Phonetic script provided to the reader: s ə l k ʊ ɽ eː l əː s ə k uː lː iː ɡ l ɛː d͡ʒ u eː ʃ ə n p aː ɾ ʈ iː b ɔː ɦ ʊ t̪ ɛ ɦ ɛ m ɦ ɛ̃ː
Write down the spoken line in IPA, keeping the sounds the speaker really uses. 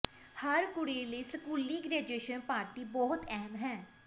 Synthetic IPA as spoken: h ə ɾ k ʊ ɽ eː l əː s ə k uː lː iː ɡ ɾ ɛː d͡ʒ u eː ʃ ə n p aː ɾ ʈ iː b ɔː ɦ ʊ t̪ ɛ ɦ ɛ m ɦ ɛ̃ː